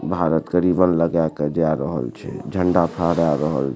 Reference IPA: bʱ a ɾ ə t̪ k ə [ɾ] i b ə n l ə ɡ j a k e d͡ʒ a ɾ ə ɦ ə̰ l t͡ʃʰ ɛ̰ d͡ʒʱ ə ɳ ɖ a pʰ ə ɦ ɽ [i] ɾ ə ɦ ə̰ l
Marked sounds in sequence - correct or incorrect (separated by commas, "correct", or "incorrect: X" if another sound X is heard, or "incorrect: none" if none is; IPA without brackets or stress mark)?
correct, incorrect: a